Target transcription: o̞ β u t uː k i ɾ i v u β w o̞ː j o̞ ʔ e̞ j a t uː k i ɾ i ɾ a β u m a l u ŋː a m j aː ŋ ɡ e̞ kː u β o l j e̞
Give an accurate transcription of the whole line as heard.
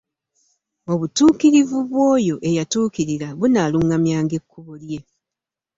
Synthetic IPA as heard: o̞ β u t uː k i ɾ i v u β w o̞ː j o̞ ʔ e̞ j a t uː k i ɾ i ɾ a β u n a l u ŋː a m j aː ŋ ɡ e̞ kː u β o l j e̞